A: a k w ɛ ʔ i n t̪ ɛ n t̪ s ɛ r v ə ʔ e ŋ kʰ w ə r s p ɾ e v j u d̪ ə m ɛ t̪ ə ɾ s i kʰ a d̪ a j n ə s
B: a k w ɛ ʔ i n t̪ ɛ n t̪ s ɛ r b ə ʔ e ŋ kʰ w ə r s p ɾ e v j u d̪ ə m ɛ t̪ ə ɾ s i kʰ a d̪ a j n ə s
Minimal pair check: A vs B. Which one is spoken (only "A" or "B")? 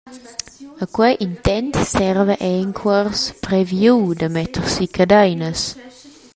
A